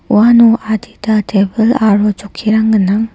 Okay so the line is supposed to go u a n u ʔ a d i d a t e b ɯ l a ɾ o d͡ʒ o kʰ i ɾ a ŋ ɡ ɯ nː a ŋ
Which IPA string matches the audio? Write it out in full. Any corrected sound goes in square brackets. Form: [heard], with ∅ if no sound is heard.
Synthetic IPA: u a n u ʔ a d i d a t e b ɯ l a ɾ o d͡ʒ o kʰ i ɾ a ŋ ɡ ɯ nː a ŋ